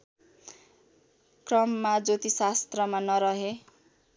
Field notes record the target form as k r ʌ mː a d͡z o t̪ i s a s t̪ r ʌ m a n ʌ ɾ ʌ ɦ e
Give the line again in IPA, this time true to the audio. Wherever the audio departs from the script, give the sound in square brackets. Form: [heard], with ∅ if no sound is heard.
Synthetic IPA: k r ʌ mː a d͡z o t̪ i s a s t̪ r ʌ m a n ʌ ɾ ʌ ɦ e